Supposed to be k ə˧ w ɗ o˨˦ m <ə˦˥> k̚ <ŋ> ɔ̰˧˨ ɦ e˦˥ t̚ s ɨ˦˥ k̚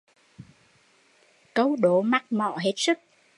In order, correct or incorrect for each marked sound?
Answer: incorrect: a˦˥, incorrect: m

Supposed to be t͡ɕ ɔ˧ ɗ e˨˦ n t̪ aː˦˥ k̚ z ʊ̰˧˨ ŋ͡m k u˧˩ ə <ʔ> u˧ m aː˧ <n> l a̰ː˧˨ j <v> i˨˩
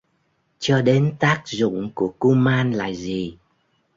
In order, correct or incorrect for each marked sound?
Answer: incorrect: k, correct, incorrect: z

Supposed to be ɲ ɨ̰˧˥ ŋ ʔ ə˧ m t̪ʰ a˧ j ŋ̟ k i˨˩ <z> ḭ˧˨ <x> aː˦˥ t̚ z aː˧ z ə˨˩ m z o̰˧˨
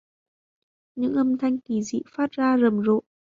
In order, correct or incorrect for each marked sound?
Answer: correct, incorrect: f

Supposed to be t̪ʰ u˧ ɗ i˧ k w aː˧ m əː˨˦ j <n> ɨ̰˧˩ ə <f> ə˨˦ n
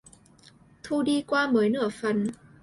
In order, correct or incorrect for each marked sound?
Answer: correct, correct

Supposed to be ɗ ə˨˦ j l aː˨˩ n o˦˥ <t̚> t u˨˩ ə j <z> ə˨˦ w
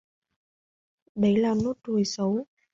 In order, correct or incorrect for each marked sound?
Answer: correct, incorrect: s

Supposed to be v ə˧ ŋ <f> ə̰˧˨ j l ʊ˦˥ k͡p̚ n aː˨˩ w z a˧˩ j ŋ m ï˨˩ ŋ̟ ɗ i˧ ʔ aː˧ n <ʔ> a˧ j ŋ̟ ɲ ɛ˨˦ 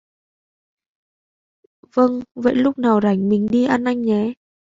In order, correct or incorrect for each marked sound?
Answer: incorrect: v, correct

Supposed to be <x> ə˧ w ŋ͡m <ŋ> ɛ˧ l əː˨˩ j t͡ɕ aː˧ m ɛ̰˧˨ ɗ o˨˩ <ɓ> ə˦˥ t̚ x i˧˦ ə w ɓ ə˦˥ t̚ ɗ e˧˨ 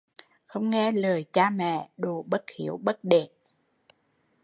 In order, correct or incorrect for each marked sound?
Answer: correct, correct, correct

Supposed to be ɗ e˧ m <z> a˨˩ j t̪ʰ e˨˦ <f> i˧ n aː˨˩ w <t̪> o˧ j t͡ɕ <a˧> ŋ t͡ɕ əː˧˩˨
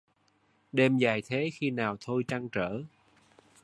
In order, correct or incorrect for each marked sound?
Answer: correct, incorrect: x, incorrect: t̪ʰ, correct

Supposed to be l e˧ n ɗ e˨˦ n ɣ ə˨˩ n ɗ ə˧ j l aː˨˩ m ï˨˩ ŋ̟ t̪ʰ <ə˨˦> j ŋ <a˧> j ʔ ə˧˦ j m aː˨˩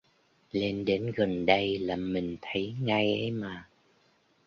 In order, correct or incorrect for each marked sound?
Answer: correct, correct

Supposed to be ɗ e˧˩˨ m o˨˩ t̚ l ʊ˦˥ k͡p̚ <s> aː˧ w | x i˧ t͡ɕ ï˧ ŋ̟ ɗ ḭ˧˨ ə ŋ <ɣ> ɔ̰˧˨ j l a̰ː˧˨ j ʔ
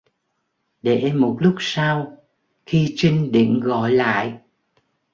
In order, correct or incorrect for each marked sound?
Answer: correct, correct

